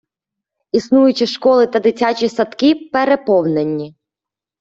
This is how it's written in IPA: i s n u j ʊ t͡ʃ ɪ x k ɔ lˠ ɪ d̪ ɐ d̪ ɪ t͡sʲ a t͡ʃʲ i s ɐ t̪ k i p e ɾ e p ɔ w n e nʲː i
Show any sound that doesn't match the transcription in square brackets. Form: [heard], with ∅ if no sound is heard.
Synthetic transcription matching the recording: i s n u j ʊ t͡ʃ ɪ [ʃ] k ɔ lˠ ɪ [t̪] ɐ d̪ ɪ t͡sʲ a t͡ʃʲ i s ɐ t̪ k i p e ɾ e p ɔ w n e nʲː i